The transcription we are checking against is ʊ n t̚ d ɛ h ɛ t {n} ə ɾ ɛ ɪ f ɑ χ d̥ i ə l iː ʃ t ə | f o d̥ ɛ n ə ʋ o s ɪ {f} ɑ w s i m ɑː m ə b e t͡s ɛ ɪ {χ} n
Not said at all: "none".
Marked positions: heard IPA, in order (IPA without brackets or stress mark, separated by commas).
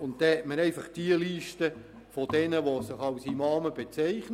m, χ, χ